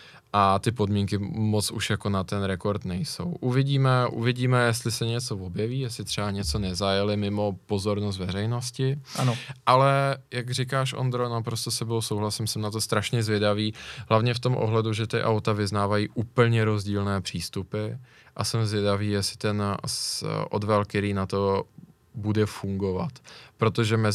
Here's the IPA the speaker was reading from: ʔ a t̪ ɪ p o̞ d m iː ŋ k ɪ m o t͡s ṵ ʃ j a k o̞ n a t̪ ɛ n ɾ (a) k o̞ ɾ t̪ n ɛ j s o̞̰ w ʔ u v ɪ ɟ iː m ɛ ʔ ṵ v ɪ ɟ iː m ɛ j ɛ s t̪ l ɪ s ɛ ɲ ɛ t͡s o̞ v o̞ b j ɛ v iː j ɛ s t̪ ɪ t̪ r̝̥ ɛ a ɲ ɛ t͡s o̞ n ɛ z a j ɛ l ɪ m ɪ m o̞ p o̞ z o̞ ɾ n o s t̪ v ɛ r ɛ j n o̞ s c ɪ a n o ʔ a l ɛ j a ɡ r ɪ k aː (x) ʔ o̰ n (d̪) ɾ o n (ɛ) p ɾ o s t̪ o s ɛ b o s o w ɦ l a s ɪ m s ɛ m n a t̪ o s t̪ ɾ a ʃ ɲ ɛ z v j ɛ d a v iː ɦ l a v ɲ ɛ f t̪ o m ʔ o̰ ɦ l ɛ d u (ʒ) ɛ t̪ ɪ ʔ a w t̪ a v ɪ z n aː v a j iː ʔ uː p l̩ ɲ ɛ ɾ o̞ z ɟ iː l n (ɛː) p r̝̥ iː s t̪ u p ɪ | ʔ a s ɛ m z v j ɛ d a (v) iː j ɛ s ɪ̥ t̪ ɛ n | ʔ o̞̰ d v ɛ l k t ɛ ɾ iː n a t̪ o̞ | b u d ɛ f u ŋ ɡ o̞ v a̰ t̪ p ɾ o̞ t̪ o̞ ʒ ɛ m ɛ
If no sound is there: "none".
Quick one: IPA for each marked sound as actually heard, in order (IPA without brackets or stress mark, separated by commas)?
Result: ɛ, ʃ, d̪, a, ʒ, ɛː, v